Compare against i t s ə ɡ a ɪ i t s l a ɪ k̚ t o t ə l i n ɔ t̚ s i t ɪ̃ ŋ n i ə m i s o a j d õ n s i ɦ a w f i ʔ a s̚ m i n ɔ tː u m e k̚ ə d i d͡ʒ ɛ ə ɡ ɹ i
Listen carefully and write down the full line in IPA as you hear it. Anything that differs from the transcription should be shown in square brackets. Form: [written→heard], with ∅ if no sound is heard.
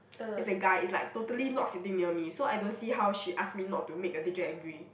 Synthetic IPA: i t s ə ɡ a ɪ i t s l a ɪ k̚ t o t ə l i n ɔ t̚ s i t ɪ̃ ŋ n i ə m i s o a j d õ n s i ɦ a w [f→ʃ] i ʔ a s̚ m i n ɔ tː u m e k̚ ə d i d͡ʒ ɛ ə ɡ ɹ i